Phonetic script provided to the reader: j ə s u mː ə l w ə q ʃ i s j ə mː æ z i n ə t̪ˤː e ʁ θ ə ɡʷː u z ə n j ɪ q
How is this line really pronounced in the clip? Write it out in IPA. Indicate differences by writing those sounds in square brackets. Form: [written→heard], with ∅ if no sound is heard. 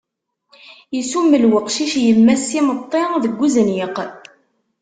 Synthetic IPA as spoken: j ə s u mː ə l w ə q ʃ i [s→ʃ] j ə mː æ [z→s] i [n→m] ə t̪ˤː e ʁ [θ→ð] ə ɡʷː u z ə n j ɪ q